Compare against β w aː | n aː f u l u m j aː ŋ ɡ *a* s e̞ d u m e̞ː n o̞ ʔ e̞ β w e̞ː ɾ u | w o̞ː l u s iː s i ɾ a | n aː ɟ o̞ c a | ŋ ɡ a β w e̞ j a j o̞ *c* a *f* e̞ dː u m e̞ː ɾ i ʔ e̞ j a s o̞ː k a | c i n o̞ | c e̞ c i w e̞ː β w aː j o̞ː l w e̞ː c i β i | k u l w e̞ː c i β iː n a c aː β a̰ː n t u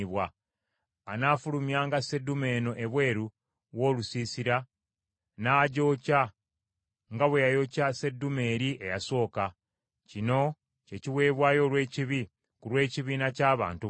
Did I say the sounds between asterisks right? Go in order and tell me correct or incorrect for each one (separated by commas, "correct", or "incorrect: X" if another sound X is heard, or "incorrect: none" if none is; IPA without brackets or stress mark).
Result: correct, correct, incorrect: s